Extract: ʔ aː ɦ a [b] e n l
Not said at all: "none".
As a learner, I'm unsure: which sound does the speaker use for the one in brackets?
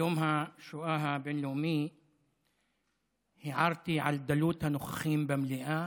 b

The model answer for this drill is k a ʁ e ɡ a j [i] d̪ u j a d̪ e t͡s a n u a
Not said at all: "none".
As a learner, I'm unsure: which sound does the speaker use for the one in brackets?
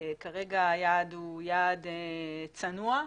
a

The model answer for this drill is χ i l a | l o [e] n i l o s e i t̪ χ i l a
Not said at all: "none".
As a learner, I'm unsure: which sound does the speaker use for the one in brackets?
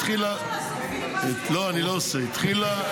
a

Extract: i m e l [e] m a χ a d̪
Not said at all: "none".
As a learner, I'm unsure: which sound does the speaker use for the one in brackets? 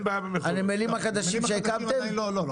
i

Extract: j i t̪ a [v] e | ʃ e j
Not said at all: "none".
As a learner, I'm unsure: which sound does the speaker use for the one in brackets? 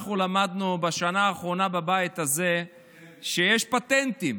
z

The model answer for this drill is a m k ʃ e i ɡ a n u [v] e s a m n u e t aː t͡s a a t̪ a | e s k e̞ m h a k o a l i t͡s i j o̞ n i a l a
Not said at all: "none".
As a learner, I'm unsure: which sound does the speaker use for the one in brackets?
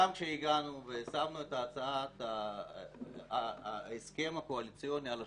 v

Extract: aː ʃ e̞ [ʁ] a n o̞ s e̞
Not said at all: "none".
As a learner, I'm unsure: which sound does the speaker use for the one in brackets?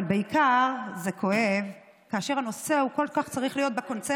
ʁ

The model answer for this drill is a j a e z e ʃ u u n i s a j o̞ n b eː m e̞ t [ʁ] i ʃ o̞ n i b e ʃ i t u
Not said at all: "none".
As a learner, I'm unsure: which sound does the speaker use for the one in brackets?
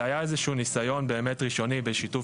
ʁ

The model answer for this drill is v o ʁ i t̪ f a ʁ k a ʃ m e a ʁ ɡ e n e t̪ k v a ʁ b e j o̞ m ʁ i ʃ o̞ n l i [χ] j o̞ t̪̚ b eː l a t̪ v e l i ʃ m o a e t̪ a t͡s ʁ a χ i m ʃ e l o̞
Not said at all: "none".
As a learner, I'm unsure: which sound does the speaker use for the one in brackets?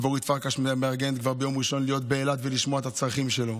none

